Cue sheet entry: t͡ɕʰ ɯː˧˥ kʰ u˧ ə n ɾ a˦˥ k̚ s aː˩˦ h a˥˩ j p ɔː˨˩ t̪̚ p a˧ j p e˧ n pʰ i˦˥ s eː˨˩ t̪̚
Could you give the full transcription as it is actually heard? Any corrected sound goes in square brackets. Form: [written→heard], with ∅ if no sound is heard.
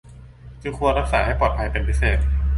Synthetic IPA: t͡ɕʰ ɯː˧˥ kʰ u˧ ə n ɾ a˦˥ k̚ s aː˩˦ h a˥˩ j p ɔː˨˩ t̪̚ [p→pʰ] a˧ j p e˧ n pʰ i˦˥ s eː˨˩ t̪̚

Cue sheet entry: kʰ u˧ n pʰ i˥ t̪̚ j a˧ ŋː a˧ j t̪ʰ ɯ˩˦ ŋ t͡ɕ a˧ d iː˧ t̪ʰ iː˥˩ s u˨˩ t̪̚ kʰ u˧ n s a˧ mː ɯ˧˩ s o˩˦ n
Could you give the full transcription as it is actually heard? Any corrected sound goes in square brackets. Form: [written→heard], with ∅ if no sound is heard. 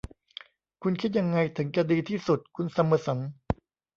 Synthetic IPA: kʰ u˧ n [pʰ→kʰ] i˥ t̪̚ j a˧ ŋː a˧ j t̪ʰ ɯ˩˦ ŋ t͡ɕ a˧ d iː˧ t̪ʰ iː˥˩ s u˨˩ t̪̚ kʰ u˧ n s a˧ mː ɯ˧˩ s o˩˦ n

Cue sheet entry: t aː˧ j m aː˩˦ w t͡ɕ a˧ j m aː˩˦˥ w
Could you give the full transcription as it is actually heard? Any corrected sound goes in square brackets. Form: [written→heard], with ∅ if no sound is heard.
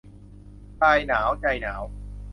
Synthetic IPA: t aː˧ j [m→n] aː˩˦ w t͡ɕ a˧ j [m→n] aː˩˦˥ w

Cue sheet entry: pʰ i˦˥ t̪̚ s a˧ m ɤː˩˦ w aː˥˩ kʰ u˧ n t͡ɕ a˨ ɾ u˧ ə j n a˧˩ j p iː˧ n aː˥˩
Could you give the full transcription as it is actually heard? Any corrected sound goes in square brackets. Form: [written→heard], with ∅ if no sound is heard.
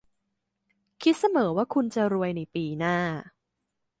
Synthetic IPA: [pʰ→kʰ] i˦˥ t̪̚ s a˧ m ɤː˩˦ w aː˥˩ kʰ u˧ n t͡ɕ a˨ ɾ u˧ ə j n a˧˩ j p iː˧ n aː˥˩

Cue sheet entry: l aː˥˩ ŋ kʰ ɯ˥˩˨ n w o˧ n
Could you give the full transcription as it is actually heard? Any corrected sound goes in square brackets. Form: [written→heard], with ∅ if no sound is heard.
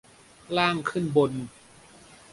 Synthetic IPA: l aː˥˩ ŋ kʰ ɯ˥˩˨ n [w→b] o˧ n

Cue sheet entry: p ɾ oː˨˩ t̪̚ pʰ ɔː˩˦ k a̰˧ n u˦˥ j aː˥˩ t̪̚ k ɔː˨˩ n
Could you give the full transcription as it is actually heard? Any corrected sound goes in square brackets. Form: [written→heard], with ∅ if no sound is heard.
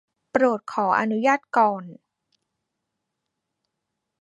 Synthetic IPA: p ɾ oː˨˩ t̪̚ [pʰ→kʰ] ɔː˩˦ [k→ʔ] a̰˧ n u˦˥ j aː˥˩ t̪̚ k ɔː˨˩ n

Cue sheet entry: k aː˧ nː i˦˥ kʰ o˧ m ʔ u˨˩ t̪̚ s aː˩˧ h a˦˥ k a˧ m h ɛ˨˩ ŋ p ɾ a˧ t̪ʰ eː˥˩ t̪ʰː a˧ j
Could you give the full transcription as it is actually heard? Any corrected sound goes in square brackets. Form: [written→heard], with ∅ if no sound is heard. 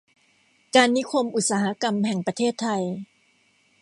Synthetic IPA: k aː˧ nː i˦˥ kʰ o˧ m ʔ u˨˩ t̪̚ s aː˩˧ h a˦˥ k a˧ m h ɛ˨˩ ŋ p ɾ a˧ t̪ʰ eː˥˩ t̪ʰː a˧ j

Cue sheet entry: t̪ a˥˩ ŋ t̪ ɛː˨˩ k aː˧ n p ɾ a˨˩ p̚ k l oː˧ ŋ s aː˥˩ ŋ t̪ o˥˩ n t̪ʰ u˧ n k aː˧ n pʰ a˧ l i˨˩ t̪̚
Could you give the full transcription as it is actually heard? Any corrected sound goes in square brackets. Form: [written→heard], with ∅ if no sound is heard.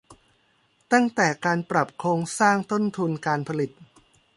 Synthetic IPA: t̪ a˥˩ ŋ t̪ ɛː˨˩ k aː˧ n p ɾ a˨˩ p̚ [k→kʰ] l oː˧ ŋ s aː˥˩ ŋ t̪ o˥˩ n t̪ʰ u˧ n k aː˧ n pʰ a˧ l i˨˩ t̪̚

